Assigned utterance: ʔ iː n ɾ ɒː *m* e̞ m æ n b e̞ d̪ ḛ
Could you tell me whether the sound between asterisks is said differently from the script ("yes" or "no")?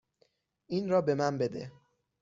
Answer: yes